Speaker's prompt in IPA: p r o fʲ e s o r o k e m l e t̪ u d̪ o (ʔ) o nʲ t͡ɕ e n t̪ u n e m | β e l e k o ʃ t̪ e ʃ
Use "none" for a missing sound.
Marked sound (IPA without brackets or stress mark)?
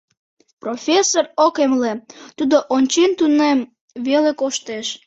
ʔ